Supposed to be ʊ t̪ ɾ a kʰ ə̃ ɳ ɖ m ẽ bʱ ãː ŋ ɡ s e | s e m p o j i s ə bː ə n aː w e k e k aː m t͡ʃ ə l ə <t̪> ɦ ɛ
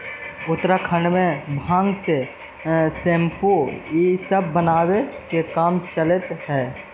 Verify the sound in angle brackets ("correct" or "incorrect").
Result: correct